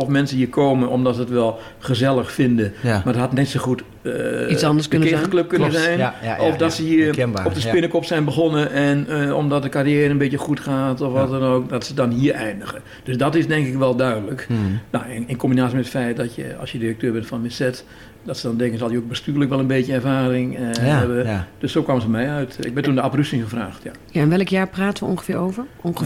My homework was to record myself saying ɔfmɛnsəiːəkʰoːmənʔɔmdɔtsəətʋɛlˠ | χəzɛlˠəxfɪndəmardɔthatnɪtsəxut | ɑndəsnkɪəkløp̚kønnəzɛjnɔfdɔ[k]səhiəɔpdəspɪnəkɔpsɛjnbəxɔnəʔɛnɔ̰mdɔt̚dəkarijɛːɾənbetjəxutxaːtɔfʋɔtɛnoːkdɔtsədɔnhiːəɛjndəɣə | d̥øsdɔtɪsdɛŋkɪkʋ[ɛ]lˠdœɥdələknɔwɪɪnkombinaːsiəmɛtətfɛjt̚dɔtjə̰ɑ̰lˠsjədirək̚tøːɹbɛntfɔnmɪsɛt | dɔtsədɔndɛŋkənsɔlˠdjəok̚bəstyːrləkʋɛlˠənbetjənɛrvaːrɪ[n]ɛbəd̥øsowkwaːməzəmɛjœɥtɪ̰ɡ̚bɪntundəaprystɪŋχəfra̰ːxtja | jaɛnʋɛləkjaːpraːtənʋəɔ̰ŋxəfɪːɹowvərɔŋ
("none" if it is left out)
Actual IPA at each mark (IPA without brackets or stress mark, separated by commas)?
t, ɛ, ŋ